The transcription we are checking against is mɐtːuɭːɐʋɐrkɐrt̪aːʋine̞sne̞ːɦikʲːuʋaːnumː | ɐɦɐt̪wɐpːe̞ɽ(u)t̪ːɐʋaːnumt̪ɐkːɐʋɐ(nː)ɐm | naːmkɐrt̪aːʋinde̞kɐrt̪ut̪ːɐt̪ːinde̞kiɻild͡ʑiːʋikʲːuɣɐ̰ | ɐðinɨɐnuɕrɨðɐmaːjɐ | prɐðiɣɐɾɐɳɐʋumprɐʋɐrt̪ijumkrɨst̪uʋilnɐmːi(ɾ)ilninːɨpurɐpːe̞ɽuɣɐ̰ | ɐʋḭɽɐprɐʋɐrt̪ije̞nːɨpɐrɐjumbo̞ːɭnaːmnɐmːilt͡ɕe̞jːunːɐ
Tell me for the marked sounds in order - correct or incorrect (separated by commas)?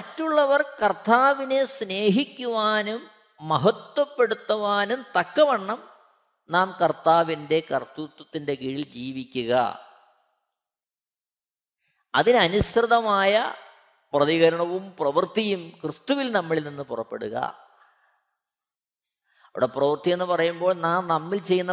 correct, incorrect, incorrect